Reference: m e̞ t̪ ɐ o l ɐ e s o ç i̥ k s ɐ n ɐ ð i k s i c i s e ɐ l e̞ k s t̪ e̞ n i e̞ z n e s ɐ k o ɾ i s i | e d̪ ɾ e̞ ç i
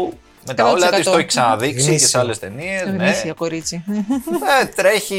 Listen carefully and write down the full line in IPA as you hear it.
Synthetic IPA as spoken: m e̞ t̪ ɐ o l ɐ i s o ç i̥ k s ɐ n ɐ ð i k s i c e s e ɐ l e̞ s t̪ e̞ n i e̞ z n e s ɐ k o ɾ i t͡s i | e t̪ ɾ e̞ ç i